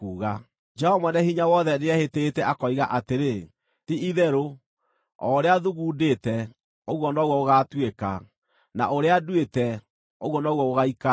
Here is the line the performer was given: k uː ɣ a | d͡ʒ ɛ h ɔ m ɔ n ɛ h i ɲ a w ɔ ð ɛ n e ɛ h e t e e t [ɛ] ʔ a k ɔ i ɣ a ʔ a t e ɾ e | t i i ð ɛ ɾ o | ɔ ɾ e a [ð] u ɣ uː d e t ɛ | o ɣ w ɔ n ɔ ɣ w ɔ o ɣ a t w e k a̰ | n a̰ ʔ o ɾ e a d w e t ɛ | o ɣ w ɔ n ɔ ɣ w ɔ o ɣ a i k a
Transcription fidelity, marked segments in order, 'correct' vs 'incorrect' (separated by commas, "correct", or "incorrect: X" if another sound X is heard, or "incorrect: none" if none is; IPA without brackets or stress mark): correct, correct